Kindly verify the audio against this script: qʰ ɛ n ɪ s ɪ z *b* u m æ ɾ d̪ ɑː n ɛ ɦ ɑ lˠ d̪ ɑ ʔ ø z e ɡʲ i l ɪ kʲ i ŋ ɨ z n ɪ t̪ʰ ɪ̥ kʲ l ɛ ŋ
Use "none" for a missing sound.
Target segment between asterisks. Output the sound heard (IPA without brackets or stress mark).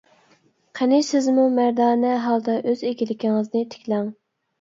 m